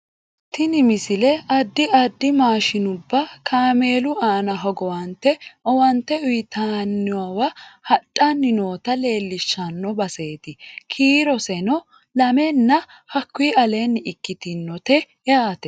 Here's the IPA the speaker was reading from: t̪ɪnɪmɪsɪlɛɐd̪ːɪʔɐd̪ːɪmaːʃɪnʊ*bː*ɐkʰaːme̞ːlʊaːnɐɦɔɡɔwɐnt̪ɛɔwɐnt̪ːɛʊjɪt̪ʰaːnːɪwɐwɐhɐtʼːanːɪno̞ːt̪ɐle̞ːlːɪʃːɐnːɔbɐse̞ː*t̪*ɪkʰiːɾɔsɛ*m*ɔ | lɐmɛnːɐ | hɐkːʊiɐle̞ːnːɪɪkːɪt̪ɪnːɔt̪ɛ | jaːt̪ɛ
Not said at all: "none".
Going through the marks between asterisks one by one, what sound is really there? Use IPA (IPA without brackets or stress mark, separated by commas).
bː, t̪, n